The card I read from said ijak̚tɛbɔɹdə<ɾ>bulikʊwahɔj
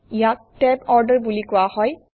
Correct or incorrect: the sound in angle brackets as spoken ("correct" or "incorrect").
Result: incorrect